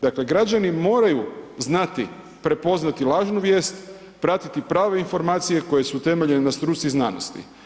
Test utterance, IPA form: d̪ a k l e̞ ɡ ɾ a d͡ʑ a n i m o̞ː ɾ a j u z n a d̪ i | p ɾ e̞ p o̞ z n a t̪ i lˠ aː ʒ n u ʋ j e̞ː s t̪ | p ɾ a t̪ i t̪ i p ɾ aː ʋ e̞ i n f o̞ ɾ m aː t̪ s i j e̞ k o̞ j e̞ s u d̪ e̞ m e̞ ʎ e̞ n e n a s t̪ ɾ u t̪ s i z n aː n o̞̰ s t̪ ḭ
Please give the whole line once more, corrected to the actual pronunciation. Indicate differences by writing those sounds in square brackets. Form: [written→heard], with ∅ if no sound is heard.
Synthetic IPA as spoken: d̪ a k l e̞ ɡ ɾ a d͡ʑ a n i m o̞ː ɾ a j u z n a [d̪→t̪] i | p ɾ e̞ p o̞ z n a t̪ i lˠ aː ʒ n u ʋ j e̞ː s t̪ | p ɾ a t̪ i t̪ i p ɾ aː ʋ e̞ i n f o̞ ɾ m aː t̪ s i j e̞ k o̞ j e̞ s u [d̪→t̪] e̞ m e̞ ʎ e̞ n e n a s t̪ ɾ u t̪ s i z n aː n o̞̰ s t̪ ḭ